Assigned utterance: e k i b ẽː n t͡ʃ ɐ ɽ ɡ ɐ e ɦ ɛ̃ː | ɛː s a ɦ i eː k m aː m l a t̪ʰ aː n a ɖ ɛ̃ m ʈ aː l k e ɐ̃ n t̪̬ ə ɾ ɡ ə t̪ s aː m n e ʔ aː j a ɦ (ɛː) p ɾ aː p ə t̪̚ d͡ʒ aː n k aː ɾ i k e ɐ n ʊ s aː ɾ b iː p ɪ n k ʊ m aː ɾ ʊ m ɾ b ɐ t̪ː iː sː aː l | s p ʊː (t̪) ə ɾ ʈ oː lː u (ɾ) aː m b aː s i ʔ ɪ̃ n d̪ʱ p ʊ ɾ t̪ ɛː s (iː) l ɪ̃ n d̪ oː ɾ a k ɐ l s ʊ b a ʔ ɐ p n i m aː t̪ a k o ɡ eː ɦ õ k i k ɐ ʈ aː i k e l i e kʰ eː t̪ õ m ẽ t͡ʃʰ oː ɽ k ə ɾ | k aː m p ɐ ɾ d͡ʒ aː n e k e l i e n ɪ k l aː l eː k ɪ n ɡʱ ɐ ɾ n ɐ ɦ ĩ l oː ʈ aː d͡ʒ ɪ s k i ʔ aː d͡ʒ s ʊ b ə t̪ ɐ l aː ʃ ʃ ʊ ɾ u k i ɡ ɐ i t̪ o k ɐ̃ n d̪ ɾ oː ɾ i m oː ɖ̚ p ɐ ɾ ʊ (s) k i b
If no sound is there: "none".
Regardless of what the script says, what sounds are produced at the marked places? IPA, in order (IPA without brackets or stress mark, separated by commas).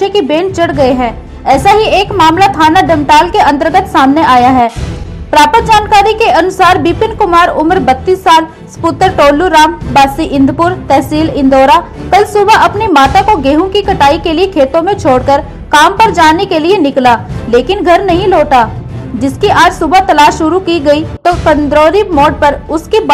ɛː, t̪, ɾ, iː, s